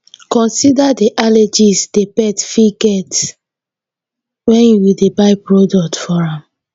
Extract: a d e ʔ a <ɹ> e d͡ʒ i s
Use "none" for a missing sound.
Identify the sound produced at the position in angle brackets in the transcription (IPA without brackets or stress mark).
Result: l